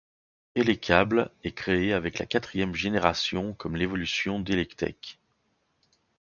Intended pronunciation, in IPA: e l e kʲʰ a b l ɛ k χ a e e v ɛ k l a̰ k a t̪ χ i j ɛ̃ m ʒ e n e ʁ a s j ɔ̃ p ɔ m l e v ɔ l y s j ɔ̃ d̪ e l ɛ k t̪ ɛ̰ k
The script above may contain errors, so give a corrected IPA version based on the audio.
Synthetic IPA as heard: e l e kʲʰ a b l ɛ k χ e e a v ɛ k l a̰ k a t̪ χ i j ɛ m ʒ e n e ʁ a s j ɔ̃ k ɔ m l e v ɔ l y s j ɔ̃ d̪ e l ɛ k t̪ ɛ̰ k